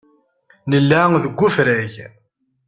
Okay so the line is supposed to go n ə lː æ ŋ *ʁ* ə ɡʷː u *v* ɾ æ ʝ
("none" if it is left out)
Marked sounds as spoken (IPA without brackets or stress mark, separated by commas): ð, f